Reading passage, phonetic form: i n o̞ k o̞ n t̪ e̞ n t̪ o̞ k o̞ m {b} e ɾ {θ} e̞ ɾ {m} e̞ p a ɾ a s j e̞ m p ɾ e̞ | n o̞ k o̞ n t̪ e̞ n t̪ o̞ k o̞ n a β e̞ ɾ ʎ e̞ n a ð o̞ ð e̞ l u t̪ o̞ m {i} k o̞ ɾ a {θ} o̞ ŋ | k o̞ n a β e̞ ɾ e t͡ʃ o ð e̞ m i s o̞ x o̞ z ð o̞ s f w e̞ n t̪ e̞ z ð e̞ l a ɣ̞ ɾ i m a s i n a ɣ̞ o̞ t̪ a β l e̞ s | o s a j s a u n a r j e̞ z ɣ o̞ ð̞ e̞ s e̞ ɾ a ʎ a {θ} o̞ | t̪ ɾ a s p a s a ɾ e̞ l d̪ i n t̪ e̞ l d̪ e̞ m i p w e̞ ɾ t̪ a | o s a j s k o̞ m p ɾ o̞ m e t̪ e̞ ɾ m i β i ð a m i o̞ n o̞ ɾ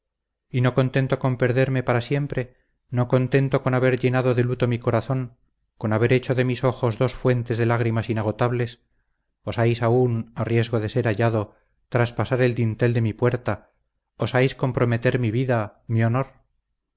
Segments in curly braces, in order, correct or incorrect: incorrect: p, incorrect: ð, correct, correct, correct, incorrect: ð

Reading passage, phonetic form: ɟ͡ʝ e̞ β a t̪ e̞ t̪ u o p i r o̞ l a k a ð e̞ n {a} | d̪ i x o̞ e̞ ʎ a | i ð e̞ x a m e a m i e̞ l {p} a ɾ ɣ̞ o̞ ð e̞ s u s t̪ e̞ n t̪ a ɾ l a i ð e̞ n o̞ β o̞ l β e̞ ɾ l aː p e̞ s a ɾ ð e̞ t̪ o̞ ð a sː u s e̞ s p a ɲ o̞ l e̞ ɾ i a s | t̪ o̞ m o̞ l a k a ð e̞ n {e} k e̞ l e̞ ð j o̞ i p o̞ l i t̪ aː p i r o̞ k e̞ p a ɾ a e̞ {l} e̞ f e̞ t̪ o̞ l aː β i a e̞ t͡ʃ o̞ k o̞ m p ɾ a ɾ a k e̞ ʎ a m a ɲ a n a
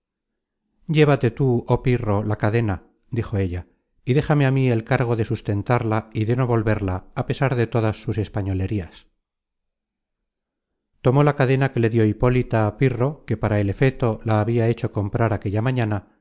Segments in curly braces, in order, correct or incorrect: correct, incorrect: k, incorrect: a, correct

